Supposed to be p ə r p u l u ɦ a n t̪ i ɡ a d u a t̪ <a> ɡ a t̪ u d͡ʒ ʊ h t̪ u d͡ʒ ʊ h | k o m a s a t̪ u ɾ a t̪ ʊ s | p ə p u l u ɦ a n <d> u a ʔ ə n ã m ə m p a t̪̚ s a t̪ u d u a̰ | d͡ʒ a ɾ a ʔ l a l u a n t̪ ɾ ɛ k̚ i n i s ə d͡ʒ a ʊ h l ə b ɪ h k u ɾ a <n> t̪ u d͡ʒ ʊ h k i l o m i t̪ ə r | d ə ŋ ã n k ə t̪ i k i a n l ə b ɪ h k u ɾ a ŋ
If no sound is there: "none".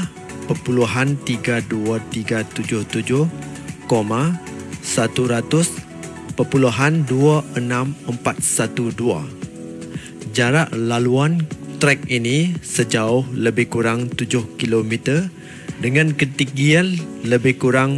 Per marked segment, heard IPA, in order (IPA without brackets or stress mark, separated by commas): i, d, ŋ